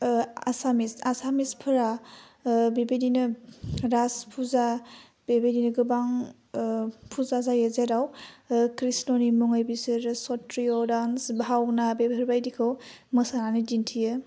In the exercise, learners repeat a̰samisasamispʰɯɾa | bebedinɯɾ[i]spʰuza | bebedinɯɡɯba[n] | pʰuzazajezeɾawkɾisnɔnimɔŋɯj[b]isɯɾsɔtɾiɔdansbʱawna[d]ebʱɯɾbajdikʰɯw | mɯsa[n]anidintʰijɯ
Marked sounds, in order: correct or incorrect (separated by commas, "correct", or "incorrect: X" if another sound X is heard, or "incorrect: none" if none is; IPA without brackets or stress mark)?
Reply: incorrect: a, incorrect: ŋ, correct, incorrect: b, correct